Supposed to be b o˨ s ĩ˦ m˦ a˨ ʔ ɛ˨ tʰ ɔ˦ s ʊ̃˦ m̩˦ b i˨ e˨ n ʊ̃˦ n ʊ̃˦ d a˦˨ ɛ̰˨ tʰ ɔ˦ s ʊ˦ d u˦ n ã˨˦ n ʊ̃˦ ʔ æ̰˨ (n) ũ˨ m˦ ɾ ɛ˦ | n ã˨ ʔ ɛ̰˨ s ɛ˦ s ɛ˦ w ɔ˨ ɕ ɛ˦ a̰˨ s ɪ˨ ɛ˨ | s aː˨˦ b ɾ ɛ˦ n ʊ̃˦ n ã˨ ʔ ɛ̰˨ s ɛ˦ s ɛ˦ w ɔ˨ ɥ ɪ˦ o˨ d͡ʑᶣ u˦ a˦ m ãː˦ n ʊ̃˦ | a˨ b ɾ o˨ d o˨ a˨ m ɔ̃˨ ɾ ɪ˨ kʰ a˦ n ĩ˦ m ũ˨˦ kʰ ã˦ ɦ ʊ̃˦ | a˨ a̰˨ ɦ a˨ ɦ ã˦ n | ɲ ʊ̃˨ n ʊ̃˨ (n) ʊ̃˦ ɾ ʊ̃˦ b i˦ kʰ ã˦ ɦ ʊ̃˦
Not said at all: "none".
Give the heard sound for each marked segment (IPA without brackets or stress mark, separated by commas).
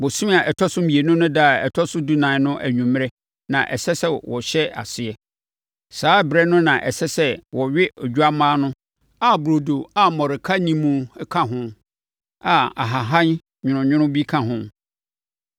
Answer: ɲ, ɲ